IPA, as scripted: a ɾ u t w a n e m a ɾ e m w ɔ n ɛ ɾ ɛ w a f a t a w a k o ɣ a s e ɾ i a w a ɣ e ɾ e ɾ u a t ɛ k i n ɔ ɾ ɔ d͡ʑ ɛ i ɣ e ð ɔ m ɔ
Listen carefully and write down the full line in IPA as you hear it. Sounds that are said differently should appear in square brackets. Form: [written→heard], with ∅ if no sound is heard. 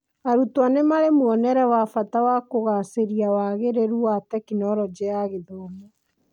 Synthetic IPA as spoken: a ɾ u t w a n e m a ɾ e m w ɔ n ɛ ɾ ɛ w a f a t a w a k o ɣ a s e ɾ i a w a ɣ e ɾ e ɾ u a t ɛ k i n ɔ ɾ ɔ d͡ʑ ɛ [i→a] ɣ e ð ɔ m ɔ